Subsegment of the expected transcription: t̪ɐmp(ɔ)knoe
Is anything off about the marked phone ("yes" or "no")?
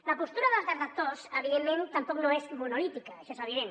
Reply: no